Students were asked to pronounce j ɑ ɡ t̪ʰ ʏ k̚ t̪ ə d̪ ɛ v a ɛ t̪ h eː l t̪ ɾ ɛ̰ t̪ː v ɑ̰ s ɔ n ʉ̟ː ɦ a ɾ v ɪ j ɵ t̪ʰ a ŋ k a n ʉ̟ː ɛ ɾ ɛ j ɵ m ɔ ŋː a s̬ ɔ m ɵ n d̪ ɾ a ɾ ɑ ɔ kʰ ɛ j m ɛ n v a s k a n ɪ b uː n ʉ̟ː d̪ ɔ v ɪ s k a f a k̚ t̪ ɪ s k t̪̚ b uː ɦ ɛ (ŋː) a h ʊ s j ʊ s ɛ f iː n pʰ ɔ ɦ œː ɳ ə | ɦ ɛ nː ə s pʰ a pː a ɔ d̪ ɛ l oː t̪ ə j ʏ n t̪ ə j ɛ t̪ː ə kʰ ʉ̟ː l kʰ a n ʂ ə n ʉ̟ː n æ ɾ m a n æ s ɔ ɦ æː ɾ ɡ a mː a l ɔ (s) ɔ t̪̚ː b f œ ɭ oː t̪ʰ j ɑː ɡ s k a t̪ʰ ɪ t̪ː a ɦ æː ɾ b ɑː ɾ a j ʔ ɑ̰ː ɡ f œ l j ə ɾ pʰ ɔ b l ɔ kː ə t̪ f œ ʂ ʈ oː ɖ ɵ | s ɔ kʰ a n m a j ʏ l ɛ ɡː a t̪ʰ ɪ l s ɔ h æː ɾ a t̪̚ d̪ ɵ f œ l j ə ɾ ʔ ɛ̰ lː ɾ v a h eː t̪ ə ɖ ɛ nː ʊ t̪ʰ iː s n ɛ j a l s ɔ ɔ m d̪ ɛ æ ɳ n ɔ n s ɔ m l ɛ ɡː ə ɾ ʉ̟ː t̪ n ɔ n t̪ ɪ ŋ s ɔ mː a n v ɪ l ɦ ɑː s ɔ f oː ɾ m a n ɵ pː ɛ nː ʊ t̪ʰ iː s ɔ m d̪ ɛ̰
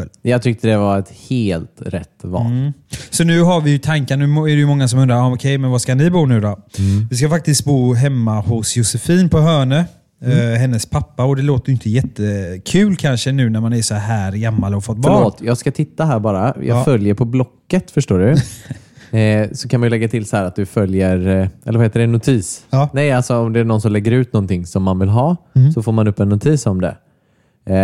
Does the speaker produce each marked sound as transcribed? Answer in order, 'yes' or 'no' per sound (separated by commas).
no, no